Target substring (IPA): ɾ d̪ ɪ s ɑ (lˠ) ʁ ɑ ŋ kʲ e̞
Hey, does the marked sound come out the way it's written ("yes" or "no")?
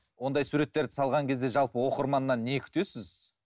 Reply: yes